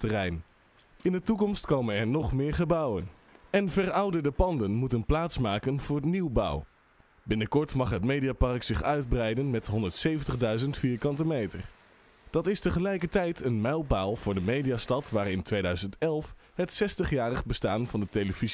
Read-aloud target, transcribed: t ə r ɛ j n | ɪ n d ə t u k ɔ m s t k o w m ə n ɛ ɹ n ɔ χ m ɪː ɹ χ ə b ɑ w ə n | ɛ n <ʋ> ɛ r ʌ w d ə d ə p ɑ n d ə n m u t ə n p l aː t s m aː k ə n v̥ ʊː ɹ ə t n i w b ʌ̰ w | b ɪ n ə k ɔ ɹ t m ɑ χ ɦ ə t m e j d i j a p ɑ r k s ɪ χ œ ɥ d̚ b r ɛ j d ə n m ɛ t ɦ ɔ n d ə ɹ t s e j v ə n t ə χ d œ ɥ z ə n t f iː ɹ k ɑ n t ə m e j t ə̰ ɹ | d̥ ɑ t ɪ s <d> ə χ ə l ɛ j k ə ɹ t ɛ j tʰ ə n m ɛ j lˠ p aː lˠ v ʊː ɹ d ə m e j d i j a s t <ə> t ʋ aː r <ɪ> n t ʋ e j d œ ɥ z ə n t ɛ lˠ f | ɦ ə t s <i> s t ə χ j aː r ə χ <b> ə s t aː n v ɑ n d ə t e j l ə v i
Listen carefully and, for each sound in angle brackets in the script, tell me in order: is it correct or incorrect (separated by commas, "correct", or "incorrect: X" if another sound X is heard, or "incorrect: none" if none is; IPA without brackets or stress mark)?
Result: incorrect: v, incorrect: t, incorrect: ɑ, correct, incorrect: ɛ, correct